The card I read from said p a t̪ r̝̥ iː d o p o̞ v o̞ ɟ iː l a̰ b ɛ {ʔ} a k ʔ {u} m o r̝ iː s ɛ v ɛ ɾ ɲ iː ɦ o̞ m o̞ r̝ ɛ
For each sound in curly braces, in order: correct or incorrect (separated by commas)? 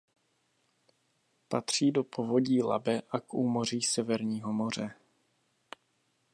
correct, incorrect